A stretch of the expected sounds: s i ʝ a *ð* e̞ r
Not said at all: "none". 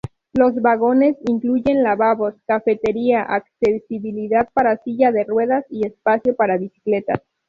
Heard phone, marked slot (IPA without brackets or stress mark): ð